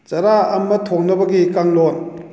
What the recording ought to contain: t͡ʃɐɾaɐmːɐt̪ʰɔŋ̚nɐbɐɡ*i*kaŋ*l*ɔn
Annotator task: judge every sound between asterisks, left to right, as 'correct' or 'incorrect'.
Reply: correct, correct

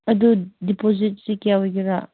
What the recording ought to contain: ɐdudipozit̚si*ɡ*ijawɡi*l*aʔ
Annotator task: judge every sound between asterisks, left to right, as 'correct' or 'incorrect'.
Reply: incorrect, incorrect

